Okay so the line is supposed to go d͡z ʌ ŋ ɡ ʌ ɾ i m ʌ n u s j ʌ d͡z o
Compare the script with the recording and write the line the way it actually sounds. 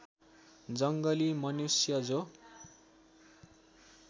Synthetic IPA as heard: d͡z ʌ ŋ ɡ ʌ l i m ʌ n u s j ʌ d͡z o

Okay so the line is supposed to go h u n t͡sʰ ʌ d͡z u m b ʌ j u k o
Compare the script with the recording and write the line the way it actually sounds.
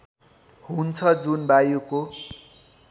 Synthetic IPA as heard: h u n t͡sʰ ʌ d͡z u n b a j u k o

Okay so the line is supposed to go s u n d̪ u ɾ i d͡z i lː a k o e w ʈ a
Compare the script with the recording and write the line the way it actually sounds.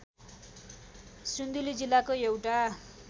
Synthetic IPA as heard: s u n d̪ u l i d͡z i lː a k o e w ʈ a

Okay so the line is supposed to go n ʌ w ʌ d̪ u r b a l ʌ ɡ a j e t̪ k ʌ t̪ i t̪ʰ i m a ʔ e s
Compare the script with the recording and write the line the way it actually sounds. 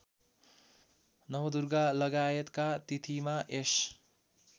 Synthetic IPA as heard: n ʌ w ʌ d̪ u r ɡ a l ʌ ɡ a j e t̪ k a t̪ i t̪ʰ i m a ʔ e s

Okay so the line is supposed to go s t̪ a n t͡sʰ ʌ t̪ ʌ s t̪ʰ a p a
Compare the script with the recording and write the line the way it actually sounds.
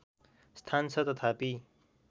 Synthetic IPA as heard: s t̪ʰ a n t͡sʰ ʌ t̪ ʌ t̪ʰ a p i

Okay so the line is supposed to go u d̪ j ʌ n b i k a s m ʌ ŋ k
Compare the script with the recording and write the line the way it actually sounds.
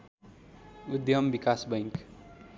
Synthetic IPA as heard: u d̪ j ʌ m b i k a s b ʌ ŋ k

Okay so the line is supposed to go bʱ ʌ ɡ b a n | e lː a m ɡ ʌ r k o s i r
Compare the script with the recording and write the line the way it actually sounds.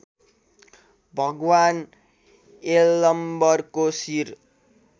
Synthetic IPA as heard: bʱ ʌ ɡ w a n | e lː ʌ m b ʌ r k o s i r

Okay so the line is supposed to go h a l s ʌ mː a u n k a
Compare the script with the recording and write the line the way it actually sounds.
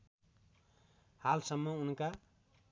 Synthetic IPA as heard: h a l s ʌ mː ʌ u n k a

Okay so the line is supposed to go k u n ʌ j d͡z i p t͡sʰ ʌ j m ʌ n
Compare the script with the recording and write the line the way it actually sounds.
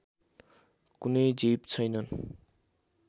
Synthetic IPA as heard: k u n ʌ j d͡z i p t͡sʰ ʌ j n ʌ n

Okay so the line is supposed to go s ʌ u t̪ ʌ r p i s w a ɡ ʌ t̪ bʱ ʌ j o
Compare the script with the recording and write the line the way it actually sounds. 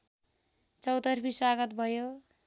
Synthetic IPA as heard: t͡s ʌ w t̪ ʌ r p i s w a ɡ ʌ t̪ bʱ ʌ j o

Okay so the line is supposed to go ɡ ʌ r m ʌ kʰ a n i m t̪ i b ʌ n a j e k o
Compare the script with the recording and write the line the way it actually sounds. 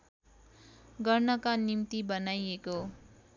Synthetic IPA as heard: ɡ ʌ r n ʌ k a n i m t̪ i b ʌ n a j e k o

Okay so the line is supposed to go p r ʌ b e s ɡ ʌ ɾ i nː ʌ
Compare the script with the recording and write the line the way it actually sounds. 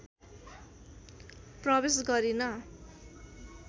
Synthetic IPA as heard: p r ʌ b e s ɡ ʌ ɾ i n ʌ

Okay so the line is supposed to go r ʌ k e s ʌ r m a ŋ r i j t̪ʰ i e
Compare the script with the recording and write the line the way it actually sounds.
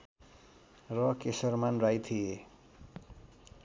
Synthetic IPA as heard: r ʌ k e s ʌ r m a n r a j t̪ʰ i e

